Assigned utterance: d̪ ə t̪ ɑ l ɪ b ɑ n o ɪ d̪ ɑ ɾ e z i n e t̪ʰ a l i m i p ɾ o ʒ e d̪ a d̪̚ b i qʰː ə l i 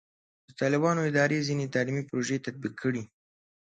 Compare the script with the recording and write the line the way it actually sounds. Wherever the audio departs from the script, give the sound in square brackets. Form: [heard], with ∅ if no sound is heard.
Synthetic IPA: d̪ ə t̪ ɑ l ɪ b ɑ n o ɪ d̪ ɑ ɾ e z i n e [t̪] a l i m i p ɾ o ʒ e [t̪] a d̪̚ b i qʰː ə [ɽ] i